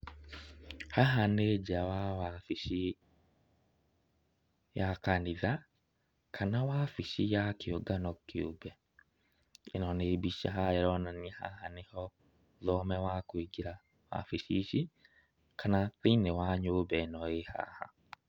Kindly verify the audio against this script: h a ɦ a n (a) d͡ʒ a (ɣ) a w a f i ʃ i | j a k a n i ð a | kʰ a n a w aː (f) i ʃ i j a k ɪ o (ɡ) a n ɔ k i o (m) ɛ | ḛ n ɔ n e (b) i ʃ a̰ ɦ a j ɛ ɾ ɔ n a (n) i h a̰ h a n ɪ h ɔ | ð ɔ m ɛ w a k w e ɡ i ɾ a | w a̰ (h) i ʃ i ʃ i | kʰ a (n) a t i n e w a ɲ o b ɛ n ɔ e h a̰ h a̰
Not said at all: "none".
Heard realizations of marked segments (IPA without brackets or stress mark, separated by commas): e, w, f, ɡ, b, b, n, f, n